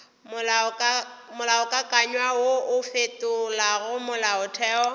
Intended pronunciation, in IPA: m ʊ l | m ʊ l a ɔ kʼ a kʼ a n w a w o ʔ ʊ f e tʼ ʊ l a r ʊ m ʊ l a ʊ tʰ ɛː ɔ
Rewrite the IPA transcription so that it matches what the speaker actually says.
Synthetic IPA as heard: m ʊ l | m ʊ l a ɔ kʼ a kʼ a ɲ w a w o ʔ ʊ f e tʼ ʊ l a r ʊ m ʊ l a ʊ tʰ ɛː ɔ